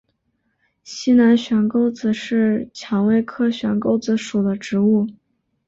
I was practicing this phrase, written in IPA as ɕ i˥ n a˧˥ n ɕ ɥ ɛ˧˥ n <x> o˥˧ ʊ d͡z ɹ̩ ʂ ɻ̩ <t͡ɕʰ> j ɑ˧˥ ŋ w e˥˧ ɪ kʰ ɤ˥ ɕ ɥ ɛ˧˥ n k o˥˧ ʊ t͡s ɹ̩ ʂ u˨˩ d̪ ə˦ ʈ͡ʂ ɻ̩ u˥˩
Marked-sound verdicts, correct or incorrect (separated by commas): incorrect, correct